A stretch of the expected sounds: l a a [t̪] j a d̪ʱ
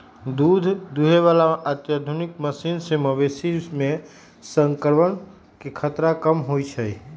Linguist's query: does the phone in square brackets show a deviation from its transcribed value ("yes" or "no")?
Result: no